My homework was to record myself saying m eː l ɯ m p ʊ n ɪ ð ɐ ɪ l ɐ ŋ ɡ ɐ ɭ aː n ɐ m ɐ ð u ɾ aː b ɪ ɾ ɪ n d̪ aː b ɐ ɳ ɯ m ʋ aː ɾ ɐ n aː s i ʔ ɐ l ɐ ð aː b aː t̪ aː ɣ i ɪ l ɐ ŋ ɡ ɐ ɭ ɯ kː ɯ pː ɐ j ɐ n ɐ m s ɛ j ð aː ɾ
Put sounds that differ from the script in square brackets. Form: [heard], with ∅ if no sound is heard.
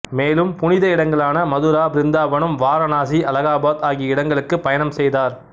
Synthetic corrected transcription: m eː l ɯ m p ʊ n ɪ ð ɐ ɪ [ɽ] ɐ ŋ ɡ ɐ ɭ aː n ɐ m ɐ ð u ɾ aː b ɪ ɾ ɪ n d̪ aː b ɐ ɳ ɯ m ʋ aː ɾ ɐ n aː s i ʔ ɐ l ɐ [ɣ] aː b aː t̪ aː ɣ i ɪ [ɽ] ɐ ŋ ɡ ɐ ɭ ɯ kː ɯ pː ɐ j ɐ n ɐ m s ɛ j ð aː ɾ